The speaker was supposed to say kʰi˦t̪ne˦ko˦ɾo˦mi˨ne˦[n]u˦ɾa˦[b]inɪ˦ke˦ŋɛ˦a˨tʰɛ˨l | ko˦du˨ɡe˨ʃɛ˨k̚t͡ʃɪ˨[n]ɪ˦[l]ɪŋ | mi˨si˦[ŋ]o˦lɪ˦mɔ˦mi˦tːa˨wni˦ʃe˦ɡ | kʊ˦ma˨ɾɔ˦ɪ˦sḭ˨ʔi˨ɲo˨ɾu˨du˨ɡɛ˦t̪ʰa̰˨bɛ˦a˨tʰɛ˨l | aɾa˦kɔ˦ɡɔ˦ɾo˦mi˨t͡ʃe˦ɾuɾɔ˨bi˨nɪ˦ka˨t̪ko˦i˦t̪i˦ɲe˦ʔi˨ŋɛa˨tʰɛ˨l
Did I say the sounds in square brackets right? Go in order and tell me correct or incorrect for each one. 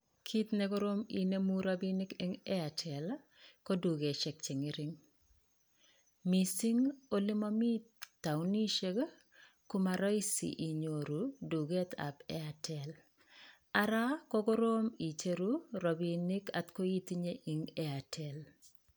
incorrect: m, correct, incorrect: ŋ, incorrect: ɾ, correct

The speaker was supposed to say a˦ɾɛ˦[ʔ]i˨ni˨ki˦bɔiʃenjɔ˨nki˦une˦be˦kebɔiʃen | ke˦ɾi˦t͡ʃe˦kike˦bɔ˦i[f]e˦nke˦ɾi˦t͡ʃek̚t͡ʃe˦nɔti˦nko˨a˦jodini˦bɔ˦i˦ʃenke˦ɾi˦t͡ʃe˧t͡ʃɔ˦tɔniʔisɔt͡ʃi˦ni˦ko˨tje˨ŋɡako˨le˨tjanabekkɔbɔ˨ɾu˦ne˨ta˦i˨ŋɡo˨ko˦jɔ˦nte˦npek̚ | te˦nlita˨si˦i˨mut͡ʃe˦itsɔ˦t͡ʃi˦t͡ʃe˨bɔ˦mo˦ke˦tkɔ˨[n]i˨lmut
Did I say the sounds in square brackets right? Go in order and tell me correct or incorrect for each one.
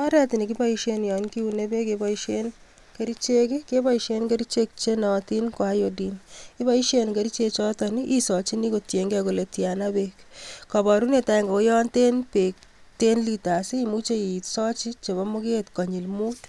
incorrect: t, incorrect: ʃ, incorrect: ɲ

